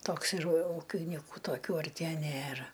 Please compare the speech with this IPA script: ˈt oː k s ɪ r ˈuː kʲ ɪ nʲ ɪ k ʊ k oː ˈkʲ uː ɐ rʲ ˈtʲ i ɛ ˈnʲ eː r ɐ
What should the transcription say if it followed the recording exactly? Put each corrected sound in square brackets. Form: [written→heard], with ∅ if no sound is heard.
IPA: ˈt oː k s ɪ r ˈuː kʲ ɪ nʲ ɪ k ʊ [k→t] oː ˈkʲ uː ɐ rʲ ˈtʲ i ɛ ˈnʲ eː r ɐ